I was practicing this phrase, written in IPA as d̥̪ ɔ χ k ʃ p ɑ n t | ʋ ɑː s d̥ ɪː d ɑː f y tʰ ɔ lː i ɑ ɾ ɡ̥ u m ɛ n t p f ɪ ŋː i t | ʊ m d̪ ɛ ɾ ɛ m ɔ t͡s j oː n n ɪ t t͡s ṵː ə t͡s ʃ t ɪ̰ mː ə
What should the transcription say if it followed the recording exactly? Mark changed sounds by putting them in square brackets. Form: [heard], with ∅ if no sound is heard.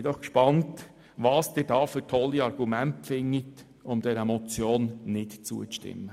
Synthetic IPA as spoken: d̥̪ ɔ χ k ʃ p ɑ n t | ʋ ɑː s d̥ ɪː d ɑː f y tʰ ɔ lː i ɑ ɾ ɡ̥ u m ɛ n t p f ɪ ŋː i t | ʊ m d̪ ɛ ɾ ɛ m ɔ t͡s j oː n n ɪ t t͡s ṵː ə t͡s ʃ t ɪ̰ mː ə